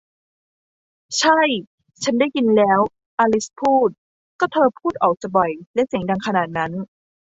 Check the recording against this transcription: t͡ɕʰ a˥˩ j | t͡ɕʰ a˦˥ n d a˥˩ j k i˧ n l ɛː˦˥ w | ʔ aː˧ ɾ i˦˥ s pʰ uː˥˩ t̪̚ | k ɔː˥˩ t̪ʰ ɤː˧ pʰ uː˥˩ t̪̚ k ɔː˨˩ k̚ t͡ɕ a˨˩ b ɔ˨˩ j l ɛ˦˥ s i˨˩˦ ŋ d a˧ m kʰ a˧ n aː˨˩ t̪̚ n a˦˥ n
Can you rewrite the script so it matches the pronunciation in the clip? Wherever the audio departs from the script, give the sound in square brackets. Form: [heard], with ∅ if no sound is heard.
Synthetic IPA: t͡ɕʰ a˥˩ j | t͡ɕʰ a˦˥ n d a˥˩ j k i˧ n l ɛː˦˥ w | ʔ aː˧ [l] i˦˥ s pʰ uː˥˩ t̪̚ | k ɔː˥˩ t̪ʰ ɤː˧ pʰ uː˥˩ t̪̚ [ʔ] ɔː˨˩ k̚ t͡ɕ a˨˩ b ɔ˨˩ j l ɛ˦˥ s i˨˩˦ ŋ d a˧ [ŋ] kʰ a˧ n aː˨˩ t̪̚ n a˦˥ n